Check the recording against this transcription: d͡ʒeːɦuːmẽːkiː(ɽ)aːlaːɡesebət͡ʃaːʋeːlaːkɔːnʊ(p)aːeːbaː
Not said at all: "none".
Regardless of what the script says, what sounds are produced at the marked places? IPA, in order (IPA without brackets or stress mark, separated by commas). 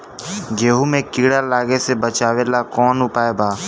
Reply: ɽ, p